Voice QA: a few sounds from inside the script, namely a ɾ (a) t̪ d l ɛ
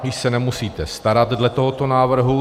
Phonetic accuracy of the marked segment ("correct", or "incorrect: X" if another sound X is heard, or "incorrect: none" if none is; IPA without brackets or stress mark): correct